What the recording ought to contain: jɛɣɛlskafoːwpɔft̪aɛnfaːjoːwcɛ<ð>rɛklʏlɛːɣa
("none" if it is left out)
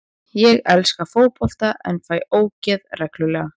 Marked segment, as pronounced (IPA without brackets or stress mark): ð